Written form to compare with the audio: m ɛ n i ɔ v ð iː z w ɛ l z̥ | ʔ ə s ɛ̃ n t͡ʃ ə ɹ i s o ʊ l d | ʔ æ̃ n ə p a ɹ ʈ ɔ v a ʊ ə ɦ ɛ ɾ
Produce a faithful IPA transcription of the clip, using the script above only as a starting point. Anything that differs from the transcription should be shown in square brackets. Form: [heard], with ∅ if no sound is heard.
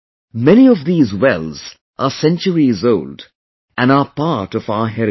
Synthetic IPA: m ɛ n i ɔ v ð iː z w ɛ l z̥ | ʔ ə s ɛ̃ n t͡ʃ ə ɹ i [z] o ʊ l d | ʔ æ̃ n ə p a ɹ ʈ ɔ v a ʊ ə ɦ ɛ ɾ